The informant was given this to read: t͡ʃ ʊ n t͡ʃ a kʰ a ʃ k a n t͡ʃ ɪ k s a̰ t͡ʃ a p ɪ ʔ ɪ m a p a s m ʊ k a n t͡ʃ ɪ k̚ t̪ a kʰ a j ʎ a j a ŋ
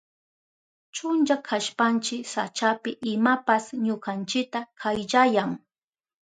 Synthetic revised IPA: t͡ʃ ʊ n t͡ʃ a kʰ a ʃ p a n t͡ʃ ɪ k s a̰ t͡ʃ a p ɪ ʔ ɪ m a p a s ɲ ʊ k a n t͡ʃ ɪ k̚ t̪ a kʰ a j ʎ a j a ŋ